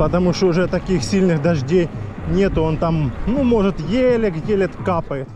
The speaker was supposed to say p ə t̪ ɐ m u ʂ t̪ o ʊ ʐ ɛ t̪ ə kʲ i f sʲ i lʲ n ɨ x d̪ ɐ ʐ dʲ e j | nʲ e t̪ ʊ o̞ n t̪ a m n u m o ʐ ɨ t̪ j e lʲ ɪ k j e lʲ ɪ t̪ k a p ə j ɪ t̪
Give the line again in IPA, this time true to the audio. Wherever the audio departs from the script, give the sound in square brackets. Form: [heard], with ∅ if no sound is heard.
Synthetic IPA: p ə t̪ ɐ m u ʂ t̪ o ʊ ʐ ɛ t̪ [ɐ] kʲ i [x] sʲ i lʲ n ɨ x d̪ ɐ ʐ dʲ e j | nʲ e t̪ ʊ o̞ n t̪ a m n u m o ʐ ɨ t̪ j e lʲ ɪ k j e lʲ ɪ t̪ k a p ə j ɪ t̪

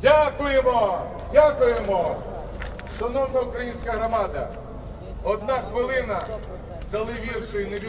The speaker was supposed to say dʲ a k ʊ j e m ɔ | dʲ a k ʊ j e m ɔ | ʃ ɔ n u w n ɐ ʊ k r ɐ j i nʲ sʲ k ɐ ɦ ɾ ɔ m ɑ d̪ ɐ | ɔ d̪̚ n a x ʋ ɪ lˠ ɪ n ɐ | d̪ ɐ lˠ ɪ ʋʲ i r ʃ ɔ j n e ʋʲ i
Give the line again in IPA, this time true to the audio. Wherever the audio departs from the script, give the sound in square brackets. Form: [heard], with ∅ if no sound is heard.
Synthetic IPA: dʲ a k ʊ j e m ɔ | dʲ a k ʊ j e m ɔ | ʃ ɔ n [ɔ] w n ɐ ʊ k [ɾ] ɐ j i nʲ sʲ k ɐ ɦ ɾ ɔ m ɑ d̪ ɐ | ɔ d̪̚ n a x ʋ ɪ lˠ ɪ n ɐ | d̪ ɐ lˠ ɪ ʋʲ i r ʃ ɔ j n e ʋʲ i

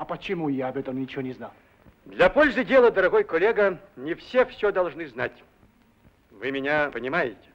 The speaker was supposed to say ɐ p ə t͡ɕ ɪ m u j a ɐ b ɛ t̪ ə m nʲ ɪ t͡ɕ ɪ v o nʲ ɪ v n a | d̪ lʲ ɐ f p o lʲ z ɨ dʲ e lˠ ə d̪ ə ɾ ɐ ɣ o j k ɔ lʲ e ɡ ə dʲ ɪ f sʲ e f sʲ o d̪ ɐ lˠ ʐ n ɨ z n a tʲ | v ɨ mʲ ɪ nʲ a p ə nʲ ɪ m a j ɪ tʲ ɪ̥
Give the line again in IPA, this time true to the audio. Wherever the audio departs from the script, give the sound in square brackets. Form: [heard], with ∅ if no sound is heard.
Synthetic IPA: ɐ p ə t͡ɕ ɪ m u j a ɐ b ɛ t̪ ə m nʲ ɪ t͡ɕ ɪ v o nʲ ɪ [z] n a | d̪ lʲ ɐ [∅] p o lʲ z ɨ dʲ e lˠ ə d̪ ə ɾ ɐ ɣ o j k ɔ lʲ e ɡ ə [nʲ] ɪ f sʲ e f sʲ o d̪ ɐ lˠ ʐ n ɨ z n a tʲ | v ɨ mʲ ɪ nʲ a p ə nʲ ɪ m a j ɪ tʲ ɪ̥

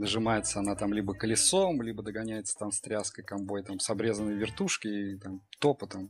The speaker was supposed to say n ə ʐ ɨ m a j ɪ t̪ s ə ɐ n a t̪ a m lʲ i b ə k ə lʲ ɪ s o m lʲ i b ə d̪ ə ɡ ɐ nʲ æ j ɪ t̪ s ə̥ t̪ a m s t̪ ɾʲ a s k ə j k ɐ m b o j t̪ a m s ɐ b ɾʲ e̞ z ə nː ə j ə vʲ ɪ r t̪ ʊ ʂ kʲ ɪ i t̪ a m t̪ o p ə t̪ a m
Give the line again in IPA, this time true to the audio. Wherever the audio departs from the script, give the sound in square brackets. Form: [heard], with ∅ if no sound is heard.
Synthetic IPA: n ə ʐ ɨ m a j ɪ t̪ s ə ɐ n a t̪ a m lʲ i b ə k ə lʲ ɪ s o m lʲ i b ə d̪ ə ɡ ɐ nʲ æ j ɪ t̪ s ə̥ t̪ a m s t̪ ɾʲ a s k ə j k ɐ m b o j t̪ a m s ɐ b ɾʲ e̞ z ə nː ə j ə vʲ ɪ r t̪ [u] ʂ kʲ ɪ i t̪ a m t̪ o p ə t̪ a m

